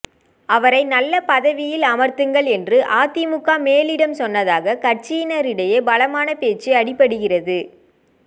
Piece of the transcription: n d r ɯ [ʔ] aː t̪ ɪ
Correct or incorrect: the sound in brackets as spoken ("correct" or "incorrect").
correct